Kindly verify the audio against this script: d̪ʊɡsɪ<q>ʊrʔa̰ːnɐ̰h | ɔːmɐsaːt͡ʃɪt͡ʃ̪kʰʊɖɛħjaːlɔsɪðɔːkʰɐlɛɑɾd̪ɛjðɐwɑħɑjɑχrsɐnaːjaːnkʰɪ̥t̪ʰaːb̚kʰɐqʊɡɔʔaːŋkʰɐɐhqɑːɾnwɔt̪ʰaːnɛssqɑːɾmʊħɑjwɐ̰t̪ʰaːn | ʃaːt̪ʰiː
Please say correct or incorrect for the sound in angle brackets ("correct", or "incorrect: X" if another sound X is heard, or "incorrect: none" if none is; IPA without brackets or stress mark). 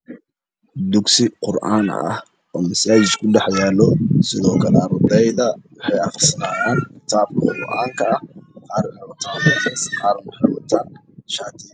correct